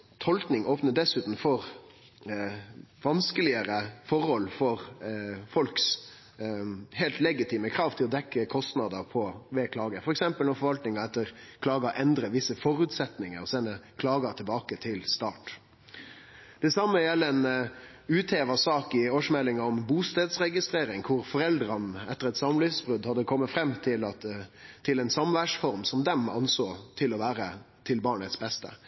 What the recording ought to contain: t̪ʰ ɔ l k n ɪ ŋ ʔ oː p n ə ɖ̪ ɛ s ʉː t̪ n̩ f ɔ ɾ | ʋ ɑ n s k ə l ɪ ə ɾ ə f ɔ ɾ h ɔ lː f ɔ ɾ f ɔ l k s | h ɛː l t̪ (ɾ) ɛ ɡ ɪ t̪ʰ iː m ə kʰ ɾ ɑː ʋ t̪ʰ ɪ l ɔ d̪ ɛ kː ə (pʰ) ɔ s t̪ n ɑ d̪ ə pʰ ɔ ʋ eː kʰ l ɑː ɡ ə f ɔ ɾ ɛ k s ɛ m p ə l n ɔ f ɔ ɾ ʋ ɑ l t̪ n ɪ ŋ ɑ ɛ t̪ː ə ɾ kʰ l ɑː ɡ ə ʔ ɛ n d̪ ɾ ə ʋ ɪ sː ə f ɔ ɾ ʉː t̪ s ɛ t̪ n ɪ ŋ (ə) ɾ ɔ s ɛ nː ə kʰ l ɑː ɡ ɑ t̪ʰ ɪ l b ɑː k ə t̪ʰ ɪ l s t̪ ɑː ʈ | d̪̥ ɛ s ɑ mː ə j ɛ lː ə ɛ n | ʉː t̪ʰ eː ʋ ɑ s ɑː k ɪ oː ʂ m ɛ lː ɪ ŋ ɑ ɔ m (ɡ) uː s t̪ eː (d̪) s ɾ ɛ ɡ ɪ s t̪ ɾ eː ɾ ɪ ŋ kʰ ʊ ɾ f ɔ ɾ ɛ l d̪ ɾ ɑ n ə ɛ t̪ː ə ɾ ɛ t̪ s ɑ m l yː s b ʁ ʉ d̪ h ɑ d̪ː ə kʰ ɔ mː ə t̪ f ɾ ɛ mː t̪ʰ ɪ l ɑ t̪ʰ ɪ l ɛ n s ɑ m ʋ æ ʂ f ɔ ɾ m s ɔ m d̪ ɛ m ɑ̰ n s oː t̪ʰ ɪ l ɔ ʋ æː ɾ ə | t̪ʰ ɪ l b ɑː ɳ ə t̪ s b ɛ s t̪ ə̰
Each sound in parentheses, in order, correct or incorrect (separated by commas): incorrect, incorrect, correct, incorrect, correct